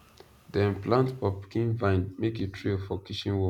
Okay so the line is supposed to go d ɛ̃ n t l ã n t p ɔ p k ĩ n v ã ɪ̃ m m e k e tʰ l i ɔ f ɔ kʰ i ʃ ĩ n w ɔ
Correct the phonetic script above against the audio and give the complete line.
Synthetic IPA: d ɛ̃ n p l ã n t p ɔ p k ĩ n v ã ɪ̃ n m e k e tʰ ɹ i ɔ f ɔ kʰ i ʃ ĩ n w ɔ